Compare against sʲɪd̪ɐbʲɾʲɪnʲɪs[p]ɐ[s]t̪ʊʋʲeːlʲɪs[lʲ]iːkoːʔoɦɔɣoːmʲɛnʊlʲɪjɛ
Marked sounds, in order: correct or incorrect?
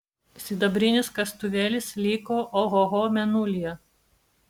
incorrect: k, correct, correct

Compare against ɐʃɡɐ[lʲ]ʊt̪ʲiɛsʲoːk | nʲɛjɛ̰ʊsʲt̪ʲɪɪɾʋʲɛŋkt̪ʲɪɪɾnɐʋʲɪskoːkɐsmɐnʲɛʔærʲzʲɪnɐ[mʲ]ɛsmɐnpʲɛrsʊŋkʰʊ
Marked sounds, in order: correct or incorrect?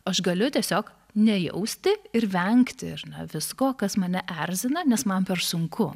correct, incorrect: nʲ

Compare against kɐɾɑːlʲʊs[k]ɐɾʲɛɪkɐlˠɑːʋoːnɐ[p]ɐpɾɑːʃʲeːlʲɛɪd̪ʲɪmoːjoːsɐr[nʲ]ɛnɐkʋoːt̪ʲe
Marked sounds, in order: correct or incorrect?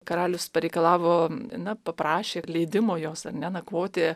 incorrect: p, correct, correct

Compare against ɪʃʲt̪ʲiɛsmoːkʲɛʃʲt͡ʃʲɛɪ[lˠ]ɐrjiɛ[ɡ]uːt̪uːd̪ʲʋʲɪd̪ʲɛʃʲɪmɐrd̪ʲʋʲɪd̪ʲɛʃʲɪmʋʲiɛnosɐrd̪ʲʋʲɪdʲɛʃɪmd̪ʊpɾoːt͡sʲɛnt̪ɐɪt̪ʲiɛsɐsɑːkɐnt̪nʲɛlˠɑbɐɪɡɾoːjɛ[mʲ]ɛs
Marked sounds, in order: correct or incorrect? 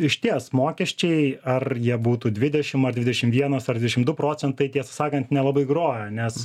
incorrect: none, incorrect: b, incorrect: nʲ

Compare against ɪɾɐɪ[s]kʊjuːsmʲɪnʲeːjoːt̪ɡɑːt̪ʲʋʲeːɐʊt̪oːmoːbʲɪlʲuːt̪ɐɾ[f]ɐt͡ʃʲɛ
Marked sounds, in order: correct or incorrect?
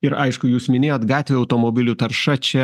incorrect: ʃ, incorrect: ʃ

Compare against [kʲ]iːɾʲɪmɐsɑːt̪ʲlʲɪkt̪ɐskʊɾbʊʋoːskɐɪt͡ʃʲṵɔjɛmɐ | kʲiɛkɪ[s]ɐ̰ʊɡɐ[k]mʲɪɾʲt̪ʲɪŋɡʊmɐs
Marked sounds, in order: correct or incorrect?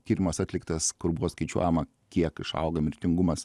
correct, incorrect: ʃ, incorrect: none

